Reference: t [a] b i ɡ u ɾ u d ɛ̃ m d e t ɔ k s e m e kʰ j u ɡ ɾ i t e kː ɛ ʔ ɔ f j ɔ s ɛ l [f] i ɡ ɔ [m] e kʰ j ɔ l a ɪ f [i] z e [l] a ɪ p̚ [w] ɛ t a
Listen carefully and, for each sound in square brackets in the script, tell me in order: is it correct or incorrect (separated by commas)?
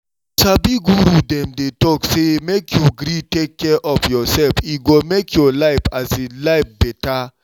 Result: correct, correct, correct, incorrect, correct, incorrect